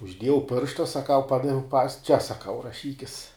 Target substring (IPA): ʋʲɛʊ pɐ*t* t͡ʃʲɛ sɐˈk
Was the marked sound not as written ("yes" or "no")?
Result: yes